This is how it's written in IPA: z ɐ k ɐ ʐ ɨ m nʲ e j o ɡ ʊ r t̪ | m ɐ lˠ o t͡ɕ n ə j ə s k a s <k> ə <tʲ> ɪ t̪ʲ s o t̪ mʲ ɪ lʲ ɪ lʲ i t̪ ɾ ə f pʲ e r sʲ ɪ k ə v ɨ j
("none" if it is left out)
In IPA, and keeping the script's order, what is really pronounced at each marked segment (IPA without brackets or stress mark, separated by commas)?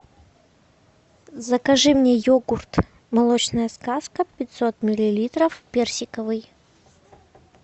k, pʲ